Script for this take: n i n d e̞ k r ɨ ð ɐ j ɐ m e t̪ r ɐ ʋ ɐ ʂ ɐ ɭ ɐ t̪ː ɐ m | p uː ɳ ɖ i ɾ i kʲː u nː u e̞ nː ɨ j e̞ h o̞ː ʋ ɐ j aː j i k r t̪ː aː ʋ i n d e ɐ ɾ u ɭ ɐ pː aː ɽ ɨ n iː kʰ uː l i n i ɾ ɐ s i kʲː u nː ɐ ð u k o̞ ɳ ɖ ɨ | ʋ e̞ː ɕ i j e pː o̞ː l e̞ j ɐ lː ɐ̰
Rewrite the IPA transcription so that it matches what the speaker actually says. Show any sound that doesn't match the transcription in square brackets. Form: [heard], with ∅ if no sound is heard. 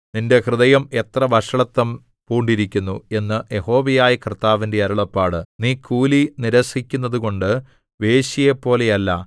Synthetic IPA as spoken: n i n d e̞ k r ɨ ð ɐ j ɐ m e t̪ r ɐ ʋ ɐ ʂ ɐ ɭ ɐ t̪ː ɐ m | p uː ɳ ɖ i ɾ i kʲː u nː u e̞ nː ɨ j e̞ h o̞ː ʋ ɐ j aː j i k r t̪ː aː ʋ i n d e ɐ ɾ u ɭ ɐ pː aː ɽ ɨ n iː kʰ uː l i n i ɾ ɐ s i kʲː u nː ɐ ð u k o̞ ɳ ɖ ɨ | ʋ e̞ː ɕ i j e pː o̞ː l e̞ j ɐ lː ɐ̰